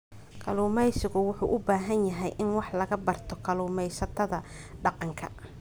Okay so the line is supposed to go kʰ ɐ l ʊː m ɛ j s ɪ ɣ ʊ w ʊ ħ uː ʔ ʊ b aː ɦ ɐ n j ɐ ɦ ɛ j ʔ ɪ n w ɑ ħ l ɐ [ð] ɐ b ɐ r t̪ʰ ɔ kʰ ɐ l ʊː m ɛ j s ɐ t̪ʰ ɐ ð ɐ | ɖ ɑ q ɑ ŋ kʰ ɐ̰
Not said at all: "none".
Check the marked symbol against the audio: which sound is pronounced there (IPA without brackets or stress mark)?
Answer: ɣ